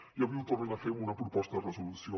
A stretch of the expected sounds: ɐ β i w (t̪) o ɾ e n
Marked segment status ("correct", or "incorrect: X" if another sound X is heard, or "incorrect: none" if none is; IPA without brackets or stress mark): correct